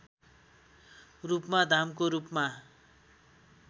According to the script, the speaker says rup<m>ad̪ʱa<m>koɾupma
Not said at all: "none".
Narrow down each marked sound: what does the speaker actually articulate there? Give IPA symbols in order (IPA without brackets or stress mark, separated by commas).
m, m